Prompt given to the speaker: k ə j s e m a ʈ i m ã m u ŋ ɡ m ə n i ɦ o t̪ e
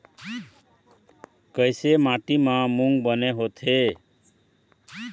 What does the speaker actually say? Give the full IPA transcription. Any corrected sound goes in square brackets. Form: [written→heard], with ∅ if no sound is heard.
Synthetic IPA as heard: k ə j s e m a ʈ i m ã m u ŋ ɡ [m→b] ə n [i→e] ɦ o [t̪→t̪ʰ] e